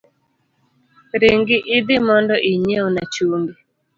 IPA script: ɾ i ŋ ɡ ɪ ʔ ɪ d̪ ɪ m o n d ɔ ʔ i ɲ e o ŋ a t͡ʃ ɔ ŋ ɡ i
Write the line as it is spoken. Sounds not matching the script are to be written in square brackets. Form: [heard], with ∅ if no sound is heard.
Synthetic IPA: ɾ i ŋ ɡ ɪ ʔ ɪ d̪ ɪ m [ɔ] n d ɔ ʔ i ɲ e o [n] a t͡ʃ [u] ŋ ɡ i